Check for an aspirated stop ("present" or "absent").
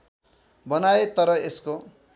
absent